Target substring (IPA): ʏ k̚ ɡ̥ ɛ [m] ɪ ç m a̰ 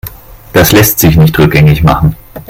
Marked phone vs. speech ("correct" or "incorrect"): incorrect